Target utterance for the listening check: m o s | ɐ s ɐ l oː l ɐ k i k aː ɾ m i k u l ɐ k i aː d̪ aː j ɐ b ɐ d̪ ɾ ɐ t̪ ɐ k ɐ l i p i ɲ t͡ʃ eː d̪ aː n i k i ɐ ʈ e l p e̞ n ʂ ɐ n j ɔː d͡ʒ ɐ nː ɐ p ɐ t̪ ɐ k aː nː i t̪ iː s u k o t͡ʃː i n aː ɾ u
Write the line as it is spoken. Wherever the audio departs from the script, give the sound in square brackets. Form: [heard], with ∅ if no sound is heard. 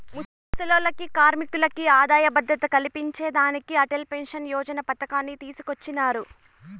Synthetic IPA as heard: m [u] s | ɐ s ɐ l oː l ɐ k i k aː ɾ m i k u l ɐ k i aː d̪ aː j ɐ b ɐ d̪ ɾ ɐ t̪ ɐ k ɐ l i p i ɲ t͡ʃ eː d̪ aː n i k i ɐ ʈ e l p e̞ n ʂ ɐ n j ɔː d͡ʒ ɐ [n] ɐ p ɐ t̪ ɐ k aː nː i t̪ iː s u k o t͡ʃː i n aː ɾ u